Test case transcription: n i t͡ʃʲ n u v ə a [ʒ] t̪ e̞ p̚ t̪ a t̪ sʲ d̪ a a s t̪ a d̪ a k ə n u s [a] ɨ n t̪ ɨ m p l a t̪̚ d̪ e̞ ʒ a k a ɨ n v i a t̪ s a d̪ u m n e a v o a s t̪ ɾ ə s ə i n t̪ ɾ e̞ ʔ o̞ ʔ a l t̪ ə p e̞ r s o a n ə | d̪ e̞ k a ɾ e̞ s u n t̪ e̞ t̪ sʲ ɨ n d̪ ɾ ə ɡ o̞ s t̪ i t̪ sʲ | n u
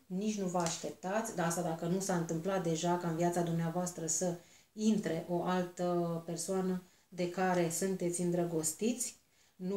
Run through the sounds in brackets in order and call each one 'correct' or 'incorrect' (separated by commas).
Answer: incorrect, correct